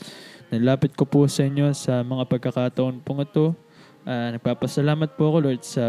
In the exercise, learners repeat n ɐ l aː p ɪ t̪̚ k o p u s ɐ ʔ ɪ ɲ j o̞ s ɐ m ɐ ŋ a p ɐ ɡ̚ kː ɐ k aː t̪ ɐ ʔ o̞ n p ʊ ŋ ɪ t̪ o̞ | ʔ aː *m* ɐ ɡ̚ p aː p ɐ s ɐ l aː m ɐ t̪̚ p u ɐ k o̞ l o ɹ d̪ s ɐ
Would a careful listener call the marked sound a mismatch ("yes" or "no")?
yes